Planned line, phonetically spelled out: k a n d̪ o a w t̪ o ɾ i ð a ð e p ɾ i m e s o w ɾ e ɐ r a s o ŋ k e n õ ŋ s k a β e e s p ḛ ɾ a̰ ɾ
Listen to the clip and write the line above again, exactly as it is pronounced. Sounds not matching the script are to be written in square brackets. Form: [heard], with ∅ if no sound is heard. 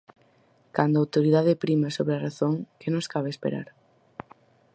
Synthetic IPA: k a n d̪ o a w t̪ o ɾ i ð a ð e p ɾ i m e s o [β] ɾ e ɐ r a [θ] o ŋ k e n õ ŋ s k a β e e s p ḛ ɾ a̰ ɾ